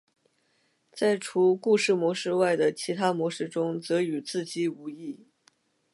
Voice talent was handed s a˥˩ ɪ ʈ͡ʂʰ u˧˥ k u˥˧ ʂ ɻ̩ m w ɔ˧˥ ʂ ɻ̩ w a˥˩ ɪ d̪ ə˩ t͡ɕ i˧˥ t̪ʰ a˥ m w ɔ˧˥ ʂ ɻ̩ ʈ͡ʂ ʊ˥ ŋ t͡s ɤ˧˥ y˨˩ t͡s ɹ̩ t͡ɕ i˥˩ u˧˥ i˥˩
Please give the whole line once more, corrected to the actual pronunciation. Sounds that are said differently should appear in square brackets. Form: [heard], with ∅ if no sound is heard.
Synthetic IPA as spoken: [t͡s] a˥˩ ɪ ʈ͡ʂʰ u˧˥ k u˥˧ ʂ ɻ̩ m w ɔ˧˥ ʂ ɻ̩ w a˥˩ ɪ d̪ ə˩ [t͡ɕʰ] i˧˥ t̪ʰ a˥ m w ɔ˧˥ ʂ ɻ̩ ʈ͡ʂ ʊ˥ ŋ t͡s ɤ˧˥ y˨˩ t͡s ɹ̩ t͡ɕ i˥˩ u˧˥ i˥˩